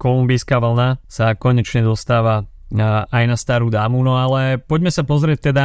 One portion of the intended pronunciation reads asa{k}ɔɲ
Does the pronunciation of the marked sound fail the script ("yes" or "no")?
no